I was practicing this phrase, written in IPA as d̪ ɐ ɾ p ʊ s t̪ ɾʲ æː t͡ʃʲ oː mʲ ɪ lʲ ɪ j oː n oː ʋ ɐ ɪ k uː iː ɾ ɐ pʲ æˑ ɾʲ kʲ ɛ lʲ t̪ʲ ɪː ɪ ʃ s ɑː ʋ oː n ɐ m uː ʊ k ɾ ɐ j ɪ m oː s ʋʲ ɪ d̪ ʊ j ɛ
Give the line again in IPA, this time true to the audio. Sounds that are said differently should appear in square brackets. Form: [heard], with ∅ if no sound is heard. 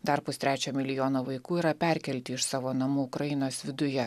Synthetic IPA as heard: d̪ ɐ ɾ p ʊ s t̪ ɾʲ æː t͡ʃʲ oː mʲ ɪ lʲ ɪ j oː n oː ʋ ɐ ɪ k uː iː ɾ ɐ pʲ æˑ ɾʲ kʲ ɛ lʲ t̪ʲ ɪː ɪ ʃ s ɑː ʋ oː n ɐ m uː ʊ k ɾ ɐ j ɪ [n] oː s ʋʲ ɪ d̪ ʊ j ɛ